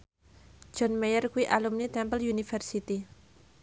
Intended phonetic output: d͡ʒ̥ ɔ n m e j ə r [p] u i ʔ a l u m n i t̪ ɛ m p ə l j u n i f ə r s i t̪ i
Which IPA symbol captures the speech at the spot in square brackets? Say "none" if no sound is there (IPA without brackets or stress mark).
k